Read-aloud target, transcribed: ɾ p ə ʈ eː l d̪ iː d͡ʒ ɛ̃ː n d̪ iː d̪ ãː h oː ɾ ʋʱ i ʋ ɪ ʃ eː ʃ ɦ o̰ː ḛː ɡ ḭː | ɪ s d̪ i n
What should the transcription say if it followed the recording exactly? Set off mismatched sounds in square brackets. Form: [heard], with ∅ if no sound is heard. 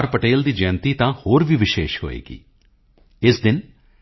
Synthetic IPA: ɾ p ə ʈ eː l d̪ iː d͡ʒ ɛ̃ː n [t̪] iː [t̪] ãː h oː ɾ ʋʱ i ʋ ɪ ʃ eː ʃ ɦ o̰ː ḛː ɡ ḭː | ɪ s d̪ [ɪ] n